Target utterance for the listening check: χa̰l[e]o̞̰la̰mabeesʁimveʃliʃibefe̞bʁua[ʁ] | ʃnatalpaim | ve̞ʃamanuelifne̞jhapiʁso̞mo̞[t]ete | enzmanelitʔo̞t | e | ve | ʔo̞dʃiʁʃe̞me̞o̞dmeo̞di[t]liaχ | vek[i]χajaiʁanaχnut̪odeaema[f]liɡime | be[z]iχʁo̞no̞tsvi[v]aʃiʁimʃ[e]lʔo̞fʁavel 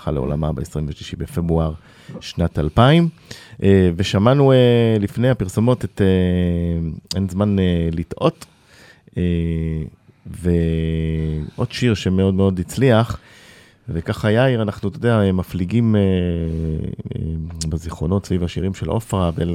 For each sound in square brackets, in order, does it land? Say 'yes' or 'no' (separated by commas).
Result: yes, yes, yes, no, no, yes, yes, yes, yes